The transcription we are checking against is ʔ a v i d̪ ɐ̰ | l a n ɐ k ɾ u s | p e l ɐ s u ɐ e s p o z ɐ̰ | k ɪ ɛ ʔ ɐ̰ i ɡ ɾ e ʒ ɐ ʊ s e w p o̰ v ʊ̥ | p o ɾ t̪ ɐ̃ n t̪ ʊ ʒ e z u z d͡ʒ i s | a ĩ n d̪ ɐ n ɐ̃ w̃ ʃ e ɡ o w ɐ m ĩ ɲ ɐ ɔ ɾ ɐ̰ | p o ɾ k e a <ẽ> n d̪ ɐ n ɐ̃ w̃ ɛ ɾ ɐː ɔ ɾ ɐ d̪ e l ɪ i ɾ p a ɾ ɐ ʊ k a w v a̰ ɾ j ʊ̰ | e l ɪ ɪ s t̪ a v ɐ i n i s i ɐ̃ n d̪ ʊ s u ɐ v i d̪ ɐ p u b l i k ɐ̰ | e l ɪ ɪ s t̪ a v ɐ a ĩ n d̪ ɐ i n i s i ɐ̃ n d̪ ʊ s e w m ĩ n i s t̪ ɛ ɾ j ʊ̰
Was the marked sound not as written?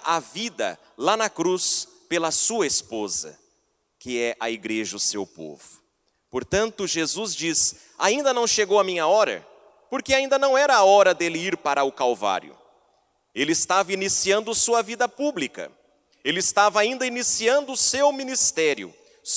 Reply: yes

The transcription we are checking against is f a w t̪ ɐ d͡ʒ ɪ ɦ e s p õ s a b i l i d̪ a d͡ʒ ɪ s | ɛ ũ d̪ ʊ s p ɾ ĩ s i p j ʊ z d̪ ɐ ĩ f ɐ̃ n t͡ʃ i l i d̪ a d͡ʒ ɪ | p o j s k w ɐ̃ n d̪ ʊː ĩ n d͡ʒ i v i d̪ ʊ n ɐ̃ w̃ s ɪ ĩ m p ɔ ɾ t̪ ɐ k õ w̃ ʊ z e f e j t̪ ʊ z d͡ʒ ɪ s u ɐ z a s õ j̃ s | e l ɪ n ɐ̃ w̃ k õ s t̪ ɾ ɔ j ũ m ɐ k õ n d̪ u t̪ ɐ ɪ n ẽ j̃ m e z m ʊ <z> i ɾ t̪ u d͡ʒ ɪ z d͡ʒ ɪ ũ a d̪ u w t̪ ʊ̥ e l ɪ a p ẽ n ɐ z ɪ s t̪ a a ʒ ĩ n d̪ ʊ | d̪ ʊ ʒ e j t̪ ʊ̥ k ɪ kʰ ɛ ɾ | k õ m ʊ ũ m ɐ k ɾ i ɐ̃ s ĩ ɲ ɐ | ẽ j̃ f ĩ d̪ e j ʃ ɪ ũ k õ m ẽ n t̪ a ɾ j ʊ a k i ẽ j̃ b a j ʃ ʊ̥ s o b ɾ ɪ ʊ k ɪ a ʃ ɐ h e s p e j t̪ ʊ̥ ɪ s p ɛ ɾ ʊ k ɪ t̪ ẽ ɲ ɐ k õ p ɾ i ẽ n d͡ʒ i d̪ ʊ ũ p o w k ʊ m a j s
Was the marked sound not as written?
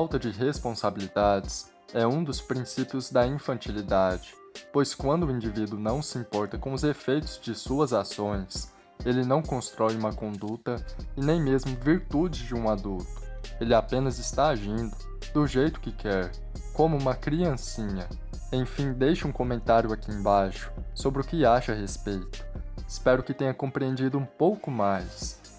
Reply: yes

